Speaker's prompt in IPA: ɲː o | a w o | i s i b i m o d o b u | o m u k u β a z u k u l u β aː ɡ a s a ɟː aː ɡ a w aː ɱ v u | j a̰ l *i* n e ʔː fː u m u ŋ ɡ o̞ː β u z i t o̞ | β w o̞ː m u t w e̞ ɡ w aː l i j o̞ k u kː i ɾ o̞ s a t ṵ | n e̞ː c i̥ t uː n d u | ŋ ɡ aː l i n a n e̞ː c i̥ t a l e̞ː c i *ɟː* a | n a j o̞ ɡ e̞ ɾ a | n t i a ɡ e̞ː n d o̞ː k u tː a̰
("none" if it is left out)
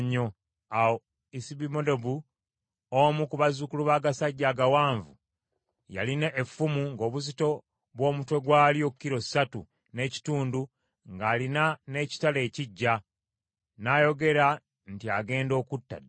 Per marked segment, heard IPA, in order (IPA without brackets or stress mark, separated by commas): i, ɟː